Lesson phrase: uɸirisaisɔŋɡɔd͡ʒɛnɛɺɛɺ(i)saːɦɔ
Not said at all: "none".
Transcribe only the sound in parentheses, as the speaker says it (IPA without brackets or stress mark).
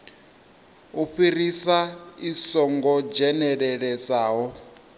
ɛ